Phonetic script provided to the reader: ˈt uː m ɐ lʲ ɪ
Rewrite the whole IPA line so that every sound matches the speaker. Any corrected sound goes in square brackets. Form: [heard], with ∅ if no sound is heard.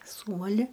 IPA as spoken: [ˈs] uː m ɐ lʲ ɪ